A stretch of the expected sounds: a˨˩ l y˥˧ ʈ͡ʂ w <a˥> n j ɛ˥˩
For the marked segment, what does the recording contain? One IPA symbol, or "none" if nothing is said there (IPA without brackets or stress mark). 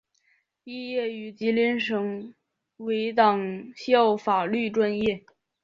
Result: a˥˧